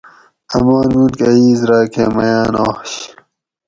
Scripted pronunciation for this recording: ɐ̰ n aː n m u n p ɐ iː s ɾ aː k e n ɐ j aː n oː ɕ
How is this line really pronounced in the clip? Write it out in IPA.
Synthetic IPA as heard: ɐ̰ m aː n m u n k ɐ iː z ɾ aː k e m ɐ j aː n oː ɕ